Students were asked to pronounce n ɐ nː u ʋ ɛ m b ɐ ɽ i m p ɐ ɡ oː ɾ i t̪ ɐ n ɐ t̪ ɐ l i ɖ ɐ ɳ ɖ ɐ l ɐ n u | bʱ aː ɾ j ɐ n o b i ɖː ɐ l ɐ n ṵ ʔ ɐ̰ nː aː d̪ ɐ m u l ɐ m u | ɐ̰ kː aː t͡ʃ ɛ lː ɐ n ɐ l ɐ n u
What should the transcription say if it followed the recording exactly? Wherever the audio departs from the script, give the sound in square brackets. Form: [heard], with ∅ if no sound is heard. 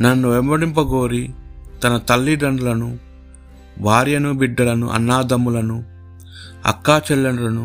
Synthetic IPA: n ɐ nː u ʋ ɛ m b ɐ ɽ i m p ɐ ɡ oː ɾ i t̪ ɐ n ɐ t̪ ɐ [lː] i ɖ ɐ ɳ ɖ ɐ l ɐ n u | bʱ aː ɾ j ɐ n [u] b i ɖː ɐ l ɐ n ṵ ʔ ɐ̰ nː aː d̪ ɐ m u l ɐ [n] u | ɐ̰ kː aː t͡ʃ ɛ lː ɐ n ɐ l ɐ n u